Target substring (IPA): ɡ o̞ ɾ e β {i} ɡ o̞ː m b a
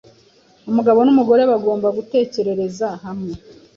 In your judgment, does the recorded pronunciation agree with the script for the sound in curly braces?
no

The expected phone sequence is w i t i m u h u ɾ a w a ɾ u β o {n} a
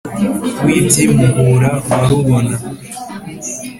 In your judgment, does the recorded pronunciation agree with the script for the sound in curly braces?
yes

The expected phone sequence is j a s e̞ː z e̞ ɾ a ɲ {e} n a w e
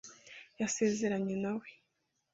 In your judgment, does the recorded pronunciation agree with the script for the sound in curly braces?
yes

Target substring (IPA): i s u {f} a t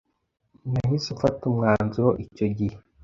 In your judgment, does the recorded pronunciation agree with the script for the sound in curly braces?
yes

